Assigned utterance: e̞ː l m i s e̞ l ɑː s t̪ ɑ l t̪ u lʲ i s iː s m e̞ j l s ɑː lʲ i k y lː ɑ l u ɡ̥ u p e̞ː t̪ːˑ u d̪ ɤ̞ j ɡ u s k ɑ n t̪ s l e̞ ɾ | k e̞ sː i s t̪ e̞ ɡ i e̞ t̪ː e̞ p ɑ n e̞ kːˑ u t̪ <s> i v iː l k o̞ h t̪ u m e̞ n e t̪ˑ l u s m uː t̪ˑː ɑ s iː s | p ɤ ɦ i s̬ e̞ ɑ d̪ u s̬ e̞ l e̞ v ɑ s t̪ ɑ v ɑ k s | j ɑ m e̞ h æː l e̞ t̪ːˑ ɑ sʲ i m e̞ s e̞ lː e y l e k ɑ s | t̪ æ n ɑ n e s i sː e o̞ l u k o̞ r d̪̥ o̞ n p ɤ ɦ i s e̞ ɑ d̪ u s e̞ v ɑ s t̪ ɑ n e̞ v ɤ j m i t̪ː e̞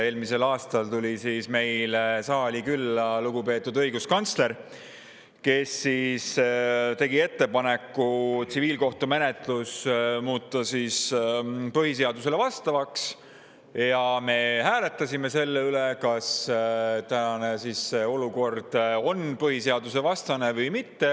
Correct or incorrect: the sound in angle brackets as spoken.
correct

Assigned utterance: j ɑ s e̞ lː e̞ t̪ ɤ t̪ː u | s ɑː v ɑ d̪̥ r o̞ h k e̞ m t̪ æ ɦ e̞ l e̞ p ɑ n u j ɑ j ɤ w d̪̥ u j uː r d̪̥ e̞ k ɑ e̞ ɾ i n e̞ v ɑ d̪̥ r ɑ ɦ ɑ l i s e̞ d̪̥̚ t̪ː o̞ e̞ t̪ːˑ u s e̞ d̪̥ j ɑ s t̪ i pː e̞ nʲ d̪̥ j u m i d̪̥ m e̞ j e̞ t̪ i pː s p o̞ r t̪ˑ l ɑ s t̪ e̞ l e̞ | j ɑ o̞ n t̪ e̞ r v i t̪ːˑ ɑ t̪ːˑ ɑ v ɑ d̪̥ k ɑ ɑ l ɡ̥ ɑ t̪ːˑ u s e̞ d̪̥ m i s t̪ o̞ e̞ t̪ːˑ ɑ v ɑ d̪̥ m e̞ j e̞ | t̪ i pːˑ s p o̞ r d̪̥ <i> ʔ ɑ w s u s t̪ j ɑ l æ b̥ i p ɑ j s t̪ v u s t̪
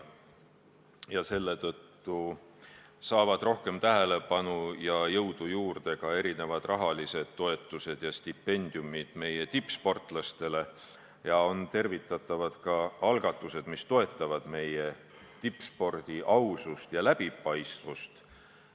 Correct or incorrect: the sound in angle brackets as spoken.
correct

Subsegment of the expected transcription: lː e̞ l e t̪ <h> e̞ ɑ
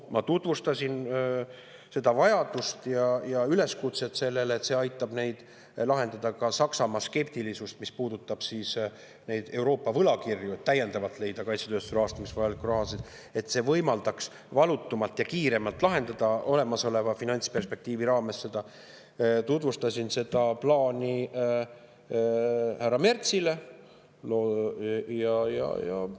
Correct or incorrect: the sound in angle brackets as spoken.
incorrect: s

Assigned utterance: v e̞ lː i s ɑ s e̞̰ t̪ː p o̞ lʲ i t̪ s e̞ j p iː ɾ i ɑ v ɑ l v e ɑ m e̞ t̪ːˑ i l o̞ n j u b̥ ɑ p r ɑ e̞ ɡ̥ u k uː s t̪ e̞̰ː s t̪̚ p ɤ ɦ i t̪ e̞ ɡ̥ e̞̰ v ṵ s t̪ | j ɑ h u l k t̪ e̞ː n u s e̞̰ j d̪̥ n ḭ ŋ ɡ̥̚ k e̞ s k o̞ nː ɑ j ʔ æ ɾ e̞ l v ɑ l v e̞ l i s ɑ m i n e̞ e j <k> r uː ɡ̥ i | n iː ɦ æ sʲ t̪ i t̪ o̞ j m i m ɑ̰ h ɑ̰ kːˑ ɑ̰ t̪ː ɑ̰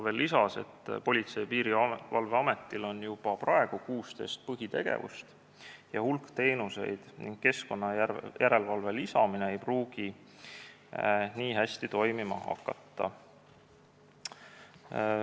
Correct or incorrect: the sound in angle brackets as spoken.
incorrect: p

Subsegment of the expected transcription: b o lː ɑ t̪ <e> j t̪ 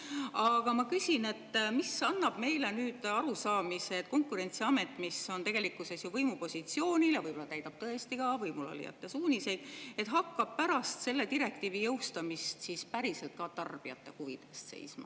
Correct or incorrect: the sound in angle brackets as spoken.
incorrect: æ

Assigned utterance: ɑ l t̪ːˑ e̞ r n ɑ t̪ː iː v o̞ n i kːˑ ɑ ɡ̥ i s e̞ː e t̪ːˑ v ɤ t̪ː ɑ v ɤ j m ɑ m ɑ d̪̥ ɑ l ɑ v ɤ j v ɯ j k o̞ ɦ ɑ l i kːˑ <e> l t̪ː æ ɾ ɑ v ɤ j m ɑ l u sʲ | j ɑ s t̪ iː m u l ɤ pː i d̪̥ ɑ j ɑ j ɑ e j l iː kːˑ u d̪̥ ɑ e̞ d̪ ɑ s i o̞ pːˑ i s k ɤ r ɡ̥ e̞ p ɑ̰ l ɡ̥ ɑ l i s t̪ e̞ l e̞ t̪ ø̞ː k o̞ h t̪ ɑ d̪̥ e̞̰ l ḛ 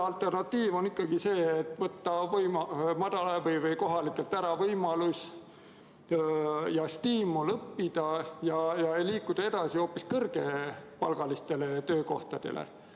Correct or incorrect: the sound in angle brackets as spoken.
correct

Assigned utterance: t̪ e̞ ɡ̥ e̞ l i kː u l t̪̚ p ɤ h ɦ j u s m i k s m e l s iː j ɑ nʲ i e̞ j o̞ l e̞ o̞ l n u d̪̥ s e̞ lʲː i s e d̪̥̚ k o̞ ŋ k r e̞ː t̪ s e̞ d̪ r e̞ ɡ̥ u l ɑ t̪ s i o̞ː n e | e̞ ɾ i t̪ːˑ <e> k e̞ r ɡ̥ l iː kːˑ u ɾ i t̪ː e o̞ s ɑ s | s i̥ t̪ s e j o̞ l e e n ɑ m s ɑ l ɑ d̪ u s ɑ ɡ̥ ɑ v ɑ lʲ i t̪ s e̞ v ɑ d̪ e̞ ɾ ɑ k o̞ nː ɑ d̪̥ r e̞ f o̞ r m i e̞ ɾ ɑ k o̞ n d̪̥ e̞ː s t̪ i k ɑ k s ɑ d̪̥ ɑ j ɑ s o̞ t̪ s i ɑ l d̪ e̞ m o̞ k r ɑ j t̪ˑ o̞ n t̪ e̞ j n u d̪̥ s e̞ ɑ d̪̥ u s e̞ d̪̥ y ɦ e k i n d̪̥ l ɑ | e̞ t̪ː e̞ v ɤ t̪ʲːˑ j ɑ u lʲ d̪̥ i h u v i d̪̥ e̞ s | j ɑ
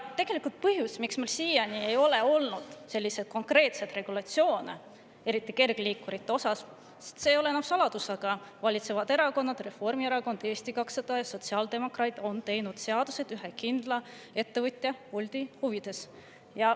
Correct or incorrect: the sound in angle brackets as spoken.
incorrect: i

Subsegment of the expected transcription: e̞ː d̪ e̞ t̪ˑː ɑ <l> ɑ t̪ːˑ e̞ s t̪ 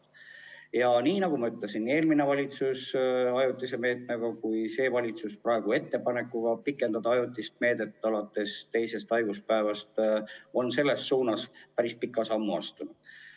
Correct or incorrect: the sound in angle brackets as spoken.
correct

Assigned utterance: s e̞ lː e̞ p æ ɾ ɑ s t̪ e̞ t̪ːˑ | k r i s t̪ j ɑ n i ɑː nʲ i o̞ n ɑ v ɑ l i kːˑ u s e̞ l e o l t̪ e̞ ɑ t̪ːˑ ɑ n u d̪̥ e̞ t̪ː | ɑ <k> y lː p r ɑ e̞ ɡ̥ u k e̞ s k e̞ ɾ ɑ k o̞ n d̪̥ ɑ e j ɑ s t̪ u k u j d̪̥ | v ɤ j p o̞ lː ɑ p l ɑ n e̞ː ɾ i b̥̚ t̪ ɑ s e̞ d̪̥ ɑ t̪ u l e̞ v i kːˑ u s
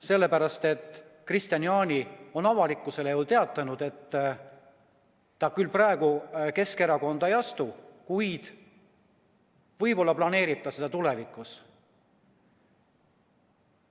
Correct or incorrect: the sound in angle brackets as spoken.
correct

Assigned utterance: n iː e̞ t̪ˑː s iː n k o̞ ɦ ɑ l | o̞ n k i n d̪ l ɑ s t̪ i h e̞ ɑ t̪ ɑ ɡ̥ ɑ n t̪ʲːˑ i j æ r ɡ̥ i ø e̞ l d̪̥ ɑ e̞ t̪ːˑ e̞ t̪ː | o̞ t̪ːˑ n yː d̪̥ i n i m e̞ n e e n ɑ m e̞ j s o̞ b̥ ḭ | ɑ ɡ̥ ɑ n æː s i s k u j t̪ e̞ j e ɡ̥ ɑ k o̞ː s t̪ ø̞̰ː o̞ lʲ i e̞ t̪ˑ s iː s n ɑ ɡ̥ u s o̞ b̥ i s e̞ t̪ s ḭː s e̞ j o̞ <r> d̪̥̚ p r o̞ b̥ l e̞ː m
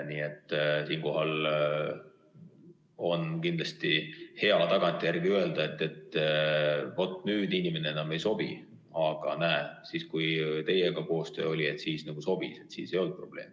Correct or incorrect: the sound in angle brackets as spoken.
incorrect: l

